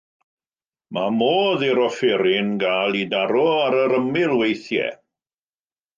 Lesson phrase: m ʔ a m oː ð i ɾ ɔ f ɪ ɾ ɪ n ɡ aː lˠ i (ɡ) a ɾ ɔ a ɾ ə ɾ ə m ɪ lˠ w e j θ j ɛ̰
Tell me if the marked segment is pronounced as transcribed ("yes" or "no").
no